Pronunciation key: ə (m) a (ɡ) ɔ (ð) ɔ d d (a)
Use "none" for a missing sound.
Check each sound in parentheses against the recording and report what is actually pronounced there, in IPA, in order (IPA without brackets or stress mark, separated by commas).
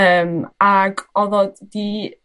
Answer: m, ɡ, ð, i